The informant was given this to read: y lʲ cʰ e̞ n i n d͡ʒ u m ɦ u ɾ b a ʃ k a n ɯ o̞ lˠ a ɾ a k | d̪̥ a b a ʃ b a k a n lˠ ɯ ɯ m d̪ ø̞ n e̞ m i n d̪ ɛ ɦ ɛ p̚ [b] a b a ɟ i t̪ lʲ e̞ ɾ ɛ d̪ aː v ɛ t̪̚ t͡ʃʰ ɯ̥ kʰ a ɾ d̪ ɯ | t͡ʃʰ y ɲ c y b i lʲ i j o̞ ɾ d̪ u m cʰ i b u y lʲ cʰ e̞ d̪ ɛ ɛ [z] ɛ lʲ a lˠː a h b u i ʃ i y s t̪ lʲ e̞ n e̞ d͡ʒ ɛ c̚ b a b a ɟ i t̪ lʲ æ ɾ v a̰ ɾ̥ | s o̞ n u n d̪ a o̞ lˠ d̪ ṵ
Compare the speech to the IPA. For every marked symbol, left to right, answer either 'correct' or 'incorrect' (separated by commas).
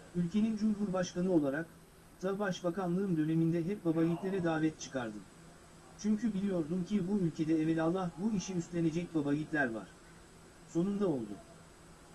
correct, incorrect